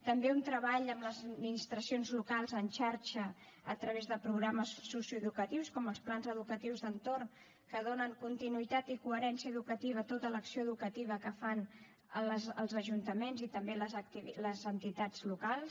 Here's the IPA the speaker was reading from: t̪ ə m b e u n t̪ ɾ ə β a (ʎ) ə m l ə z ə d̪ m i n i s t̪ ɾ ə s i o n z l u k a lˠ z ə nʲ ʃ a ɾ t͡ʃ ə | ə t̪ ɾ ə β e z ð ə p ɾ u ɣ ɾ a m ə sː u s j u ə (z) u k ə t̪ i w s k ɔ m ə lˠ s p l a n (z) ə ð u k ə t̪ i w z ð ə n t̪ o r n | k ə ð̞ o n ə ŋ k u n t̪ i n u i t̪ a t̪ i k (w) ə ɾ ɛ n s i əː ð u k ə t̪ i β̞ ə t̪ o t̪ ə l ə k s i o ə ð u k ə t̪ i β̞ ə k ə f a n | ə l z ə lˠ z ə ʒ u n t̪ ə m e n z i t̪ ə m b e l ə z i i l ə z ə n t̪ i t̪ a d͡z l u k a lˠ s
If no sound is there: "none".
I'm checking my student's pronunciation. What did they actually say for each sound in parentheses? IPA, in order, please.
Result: ʎ, ð, z, u

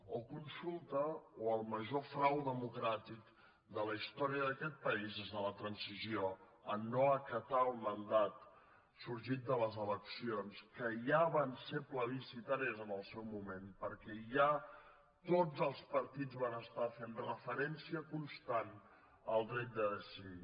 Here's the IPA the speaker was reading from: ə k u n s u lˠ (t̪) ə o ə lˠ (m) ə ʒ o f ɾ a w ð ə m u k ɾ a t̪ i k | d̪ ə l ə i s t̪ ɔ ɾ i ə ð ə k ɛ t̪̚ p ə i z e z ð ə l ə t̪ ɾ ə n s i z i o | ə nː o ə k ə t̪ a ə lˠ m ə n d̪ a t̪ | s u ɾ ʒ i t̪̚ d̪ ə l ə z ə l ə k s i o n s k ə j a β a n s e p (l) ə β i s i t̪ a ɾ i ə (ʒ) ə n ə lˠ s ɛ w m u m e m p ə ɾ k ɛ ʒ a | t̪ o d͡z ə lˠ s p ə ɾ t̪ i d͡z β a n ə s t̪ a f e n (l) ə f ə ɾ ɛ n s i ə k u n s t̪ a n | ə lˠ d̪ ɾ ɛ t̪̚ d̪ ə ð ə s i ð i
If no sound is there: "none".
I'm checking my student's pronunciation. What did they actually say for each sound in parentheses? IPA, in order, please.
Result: t̪, m, l, z, r

